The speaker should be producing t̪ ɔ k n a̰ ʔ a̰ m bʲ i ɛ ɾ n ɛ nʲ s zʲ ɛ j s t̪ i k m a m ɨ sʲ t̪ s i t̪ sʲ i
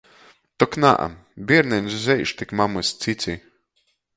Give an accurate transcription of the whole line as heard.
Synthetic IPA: t̪ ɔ k n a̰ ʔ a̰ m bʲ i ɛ ɾ n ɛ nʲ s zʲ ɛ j ʃ t̪ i k m a m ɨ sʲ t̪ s i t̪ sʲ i

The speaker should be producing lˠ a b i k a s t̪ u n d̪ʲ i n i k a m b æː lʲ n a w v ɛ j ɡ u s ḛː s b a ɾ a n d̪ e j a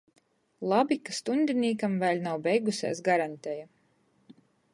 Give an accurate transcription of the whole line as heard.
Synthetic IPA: lˠ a b i k a s t̪ u n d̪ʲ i n iː k a m v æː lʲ n a w b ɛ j ɡ u s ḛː s ɡ a ɾ a n t̪ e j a

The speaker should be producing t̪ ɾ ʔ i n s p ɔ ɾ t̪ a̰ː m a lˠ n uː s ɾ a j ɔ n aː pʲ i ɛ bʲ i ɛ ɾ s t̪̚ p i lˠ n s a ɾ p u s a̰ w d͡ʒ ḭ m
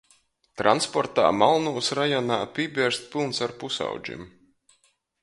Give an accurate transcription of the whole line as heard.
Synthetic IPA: t̪ ɾ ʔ a n s p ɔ ɾ t̪ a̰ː m a lˠ n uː s ɾ a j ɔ n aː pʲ i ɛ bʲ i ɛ ɾ s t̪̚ p i lˠ n s a ɾ p u s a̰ w d͡ʒ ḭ m

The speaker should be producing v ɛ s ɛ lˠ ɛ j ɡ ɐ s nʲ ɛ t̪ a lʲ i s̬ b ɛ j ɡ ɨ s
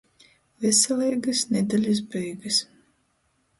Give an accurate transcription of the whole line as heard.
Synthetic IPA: v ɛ s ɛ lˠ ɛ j ɡ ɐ s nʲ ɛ d̪ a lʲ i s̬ b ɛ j ɡ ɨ s

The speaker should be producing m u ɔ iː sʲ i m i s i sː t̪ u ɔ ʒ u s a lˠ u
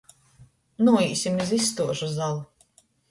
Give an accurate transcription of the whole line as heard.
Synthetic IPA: n u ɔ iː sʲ i m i z i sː t̪ u ɔ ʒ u z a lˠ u

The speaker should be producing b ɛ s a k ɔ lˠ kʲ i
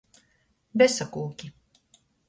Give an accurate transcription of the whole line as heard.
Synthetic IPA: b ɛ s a k u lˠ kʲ i

